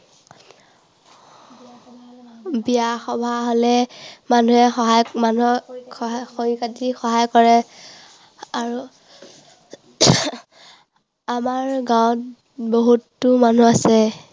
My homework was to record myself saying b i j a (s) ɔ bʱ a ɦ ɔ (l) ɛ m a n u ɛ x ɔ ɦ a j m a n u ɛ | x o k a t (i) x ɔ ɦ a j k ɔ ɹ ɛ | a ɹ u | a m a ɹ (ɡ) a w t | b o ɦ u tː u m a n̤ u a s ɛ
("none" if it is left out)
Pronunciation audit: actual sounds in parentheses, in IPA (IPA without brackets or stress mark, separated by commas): x, l, i, ɡ